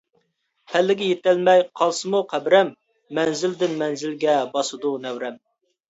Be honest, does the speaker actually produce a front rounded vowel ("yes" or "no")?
no